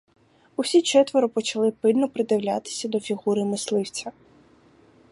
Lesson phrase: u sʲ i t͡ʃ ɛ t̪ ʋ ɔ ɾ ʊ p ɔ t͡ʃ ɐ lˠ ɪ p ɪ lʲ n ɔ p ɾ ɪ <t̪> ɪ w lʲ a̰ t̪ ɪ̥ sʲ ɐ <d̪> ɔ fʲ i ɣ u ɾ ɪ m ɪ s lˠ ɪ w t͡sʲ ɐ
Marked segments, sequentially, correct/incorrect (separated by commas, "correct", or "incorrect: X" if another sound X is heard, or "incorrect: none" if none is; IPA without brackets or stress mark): incorrect: d̪, correct